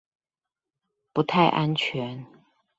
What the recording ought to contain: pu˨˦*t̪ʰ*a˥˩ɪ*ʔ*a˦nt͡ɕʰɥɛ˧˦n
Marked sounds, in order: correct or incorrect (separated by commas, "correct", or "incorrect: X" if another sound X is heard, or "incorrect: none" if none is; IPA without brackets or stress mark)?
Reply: correct, correct